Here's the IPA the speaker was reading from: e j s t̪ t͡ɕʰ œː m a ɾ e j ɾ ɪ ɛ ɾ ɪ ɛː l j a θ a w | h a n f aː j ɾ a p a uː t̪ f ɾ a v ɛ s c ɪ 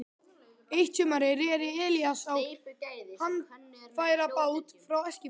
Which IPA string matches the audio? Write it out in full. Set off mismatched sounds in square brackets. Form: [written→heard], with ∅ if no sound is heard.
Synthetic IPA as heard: e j [s→h] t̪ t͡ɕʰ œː m a ɾ e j ɾ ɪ ɛ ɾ ɪ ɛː l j a [θ→s] a w | h a n f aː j ɾ a p a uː t̪ f ɾ a [v→w] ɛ s c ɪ